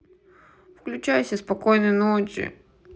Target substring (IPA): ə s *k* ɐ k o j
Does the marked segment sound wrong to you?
yes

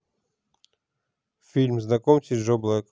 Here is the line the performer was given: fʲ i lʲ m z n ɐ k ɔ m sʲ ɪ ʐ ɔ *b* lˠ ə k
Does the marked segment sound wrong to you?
no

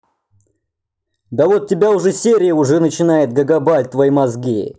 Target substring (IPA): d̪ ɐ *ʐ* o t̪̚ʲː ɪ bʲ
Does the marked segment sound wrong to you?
yes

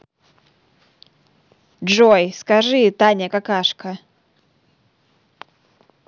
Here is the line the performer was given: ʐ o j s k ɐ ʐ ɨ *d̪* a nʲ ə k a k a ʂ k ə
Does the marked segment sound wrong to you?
yes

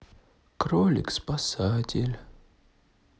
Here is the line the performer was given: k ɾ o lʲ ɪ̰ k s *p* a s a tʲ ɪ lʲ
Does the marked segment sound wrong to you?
no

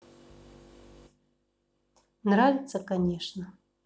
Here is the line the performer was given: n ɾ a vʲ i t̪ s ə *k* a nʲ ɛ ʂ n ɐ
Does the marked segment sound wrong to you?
no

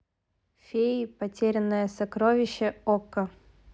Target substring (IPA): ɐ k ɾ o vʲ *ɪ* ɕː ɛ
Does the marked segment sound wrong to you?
no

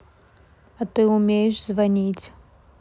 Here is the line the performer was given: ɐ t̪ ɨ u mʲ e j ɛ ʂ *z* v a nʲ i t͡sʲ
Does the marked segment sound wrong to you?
no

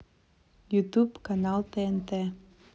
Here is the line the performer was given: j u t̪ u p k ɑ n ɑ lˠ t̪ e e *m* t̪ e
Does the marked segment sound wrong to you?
yes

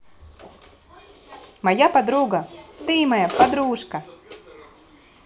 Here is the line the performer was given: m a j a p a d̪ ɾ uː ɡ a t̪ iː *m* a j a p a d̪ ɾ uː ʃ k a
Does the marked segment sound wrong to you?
no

